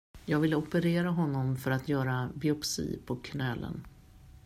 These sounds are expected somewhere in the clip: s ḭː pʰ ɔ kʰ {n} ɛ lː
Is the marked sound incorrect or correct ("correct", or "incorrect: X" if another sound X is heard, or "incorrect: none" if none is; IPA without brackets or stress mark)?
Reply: correct